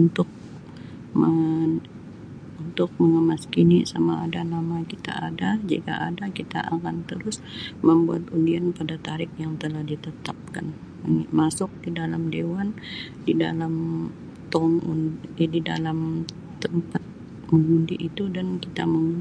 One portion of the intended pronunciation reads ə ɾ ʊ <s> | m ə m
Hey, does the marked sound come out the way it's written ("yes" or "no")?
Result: yes